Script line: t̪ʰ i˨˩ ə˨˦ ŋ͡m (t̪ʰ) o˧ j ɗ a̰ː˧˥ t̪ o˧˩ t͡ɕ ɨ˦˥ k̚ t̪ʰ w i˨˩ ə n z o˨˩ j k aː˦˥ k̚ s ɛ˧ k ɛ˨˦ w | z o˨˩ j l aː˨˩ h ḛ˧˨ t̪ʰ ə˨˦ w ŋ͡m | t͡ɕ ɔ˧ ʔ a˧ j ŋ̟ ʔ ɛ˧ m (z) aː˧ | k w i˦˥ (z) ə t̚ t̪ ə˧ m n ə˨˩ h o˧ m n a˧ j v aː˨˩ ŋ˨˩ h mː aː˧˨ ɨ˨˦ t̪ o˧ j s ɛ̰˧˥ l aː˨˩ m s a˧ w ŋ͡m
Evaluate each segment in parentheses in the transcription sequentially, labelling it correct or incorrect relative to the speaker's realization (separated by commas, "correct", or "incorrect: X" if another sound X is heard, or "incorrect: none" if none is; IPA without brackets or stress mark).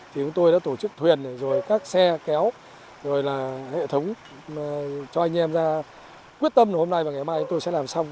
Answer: incorrect: t̪, correct, incorrect: none